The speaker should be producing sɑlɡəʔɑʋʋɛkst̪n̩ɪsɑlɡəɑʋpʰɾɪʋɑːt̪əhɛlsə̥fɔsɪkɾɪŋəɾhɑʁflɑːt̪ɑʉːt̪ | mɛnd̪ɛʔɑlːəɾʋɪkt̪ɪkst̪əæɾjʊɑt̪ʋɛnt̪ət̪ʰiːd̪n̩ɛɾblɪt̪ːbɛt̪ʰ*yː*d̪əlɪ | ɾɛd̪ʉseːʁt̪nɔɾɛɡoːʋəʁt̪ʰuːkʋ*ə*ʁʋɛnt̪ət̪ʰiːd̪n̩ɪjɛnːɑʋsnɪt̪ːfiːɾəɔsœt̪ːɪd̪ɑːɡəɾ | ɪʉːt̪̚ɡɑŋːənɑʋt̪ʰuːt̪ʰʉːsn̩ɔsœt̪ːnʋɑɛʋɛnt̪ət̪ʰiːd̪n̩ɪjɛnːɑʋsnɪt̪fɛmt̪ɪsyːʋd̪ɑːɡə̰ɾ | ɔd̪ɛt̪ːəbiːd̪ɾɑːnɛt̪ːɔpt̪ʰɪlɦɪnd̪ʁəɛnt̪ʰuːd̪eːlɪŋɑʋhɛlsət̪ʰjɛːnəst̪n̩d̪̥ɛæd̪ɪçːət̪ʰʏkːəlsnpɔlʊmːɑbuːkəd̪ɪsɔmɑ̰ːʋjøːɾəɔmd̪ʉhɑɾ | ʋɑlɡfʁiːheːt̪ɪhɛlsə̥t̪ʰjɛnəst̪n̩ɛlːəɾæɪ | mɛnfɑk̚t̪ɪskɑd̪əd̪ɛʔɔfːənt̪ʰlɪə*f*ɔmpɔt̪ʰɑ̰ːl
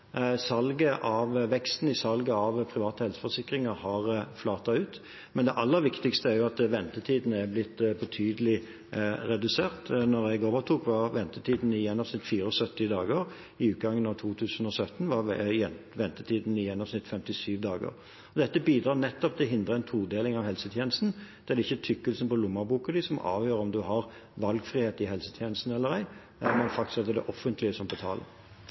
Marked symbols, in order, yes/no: yes, no, no

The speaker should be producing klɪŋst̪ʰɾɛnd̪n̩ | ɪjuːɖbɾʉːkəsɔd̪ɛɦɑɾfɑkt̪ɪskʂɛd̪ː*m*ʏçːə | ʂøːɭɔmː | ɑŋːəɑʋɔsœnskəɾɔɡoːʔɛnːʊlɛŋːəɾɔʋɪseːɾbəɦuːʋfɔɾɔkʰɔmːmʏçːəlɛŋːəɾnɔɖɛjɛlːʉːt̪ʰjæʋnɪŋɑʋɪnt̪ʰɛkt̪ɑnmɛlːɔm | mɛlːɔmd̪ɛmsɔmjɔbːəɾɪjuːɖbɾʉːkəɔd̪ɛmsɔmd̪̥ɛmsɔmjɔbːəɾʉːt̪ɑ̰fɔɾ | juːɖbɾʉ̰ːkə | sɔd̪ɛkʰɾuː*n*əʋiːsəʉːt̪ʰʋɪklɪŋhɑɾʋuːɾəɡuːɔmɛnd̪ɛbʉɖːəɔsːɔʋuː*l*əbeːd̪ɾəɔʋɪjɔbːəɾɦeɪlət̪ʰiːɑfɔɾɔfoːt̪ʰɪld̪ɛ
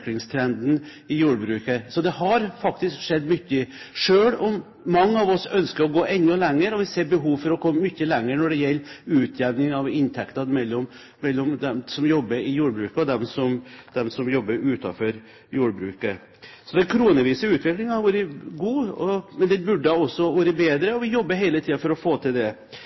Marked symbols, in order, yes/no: yes, yes, no

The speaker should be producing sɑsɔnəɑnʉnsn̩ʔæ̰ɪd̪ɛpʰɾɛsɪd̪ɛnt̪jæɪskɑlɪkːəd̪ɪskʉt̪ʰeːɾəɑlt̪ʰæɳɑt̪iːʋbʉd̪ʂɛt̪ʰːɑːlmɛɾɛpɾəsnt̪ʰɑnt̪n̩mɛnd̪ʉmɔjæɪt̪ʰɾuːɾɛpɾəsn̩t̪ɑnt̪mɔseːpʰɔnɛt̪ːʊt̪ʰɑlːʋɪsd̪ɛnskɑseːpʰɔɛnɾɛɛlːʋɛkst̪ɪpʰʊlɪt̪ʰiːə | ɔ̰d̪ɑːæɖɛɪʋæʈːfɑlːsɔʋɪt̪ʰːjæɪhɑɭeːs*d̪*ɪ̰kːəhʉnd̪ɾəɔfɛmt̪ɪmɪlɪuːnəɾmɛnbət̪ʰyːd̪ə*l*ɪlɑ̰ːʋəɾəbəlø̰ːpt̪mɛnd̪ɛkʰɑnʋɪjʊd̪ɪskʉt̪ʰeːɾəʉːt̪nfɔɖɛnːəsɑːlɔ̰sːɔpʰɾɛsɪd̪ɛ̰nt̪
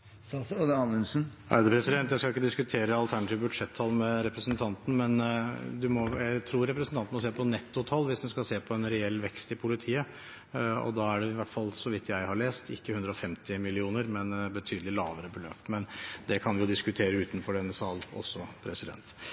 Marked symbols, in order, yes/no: no, yes

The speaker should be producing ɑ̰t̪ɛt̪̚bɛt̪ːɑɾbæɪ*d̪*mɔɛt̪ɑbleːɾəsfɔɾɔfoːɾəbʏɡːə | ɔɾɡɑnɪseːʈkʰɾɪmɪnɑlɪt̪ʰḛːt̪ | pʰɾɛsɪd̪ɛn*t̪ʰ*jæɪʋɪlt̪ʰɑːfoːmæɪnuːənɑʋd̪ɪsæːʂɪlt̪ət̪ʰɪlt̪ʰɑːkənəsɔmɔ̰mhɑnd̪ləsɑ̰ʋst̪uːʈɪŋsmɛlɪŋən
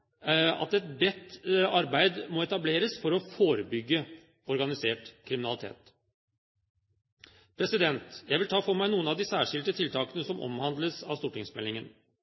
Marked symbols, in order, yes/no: yes, no

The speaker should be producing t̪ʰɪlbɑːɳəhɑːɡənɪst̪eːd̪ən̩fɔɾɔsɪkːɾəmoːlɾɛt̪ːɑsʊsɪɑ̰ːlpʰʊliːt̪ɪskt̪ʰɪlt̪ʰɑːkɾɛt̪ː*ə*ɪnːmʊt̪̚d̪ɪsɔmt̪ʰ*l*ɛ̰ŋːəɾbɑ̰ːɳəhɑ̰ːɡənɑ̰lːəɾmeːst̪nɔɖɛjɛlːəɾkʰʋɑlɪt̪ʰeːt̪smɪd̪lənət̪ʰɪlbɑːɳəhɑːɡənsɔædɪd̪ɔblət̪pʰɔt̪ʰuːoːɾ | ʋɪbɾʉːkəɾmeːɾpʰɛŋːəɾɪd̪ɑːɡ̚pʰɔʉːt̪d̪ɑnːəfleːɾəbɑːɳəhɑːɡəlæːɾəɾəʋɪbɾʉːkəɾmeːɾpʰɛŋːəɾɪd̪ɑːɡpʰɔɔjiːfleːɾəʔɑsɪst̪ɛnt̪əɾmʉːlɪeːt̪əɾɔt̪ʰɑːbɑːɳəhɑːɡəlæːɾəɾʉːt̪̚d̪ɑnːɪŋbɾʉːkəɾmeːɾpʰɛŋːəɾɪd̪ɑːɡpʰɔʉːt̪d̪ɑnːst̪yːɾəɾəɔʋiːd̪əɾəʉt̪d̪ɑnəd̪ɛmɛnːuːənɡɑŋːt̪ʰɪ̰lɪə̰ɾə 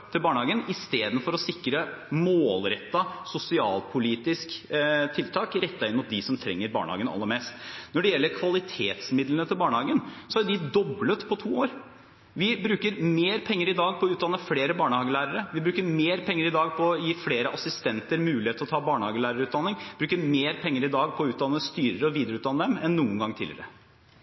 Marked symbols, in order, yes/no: no, no

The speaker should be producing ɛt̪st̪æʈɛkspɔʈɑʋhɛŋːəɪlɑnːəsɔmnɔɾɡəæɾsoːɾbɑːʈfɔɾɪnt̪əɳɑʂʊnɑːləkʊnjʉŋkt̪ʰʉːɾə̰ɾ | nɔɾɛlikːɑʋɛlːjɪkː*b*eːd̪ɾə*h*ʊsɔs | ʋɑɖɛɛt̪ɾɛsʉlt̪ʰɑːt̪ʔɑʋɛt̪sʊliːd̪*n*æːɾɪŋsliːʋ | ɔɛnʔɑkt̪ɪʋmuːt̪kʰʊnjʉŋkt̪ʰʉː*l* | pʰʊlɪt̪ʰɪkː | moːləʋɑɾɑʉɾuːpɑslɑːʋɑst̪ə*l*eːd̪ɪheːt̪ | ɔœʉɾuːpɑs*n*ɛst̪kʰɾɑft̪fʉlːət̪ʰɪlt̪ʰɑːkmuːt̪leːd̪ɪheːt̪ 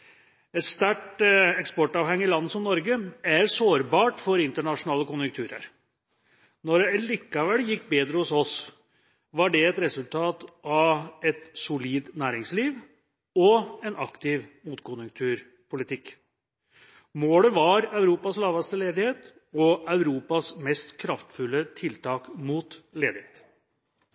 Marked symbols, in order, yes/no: yes, yes, yes, no, yes, no

